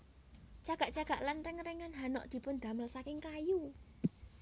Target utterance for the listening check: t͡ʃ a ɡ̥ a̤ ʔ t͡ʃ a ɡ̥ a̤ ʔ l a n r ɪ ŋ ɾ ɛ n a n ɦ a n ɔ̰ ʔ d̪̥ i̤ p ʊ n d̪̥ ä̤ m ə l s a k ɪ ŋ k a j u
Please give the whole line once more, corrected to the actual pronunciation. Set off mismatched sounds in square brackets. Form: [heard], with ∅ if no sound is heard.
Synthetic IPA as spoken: t͡ʃ a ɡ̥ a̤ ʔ t͡ʃ a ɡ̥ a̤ ʔ l a n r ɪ ŋ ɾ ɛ [ŋ] a n ɦ a n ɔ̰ ʔ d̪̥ i̤ p ʊ n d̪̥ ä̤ m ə l s a k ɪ ŋ k a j u